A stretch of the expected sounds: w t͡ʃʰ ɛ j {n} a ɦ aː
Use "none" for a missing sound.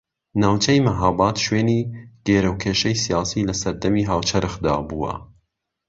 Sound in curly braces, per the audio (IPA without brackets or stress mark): m